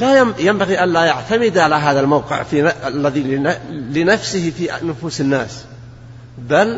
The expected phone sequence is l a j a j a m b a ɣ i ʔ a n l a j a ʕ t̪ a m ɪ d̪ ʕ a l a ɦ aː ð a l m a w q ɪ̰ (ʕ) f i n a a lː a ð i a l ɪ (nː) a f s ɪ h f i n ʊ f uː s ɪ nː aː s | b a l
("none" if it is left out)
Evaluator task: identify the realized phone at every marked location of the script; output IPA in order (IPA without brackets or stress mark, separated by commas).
ʕ, n